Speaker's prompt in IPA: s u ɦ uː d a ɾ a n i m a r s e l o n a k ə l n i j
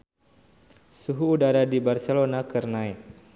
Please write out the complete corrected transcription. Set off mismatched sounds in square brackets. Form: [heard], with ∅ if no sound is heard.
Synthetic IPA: s u ɦ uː d a ɾ a [d] i [b] a r s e l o n a k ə [r] n [a] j